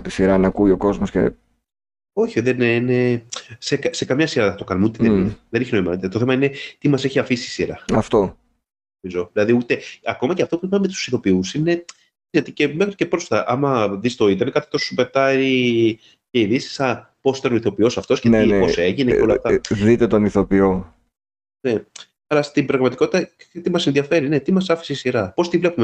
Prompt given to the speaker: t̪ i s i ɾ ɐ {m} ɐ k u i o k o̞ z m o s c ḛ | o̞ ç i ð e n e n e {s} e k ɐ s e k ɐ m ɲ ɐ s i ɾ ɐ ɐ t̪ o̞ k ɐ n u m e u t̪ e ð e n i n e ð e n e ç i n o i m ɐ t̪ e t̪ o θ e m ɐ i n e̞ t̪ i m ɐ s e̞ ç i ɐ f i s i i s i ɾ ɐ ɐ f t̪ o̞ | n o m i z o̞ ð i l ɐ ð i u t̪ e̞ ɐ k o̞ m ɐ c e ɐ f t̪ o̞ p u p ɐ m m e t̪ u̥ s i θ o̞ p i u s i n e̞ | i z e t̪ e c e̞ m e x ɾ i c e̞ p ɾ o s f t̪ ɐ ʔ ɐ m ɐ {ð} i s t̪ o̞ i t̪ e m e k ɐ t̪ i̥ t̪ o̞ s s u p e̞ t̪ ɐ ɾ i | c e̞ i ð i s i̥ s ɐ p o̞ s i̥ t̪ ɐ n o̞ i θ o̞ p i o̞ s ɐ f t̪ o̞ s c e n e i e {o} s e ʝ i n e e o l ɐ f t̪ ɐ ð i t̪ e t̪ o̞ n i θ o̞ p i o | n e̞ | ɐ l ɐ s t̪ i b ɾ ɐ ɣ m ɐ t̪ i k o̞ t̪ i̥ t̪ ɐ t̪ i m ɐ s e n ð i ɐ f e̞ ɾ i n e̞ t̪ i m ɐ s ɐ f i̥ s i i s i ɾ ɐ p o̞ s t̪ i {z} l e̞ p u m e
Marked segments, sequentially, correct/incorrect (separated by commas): incorrect, correct, correct, correct, incorrect